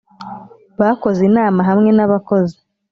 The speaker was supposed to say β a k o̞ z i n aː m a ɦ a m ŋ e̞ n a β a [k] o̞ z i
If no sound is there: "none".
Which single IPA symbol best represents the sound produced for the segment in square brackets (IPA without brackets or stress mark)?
k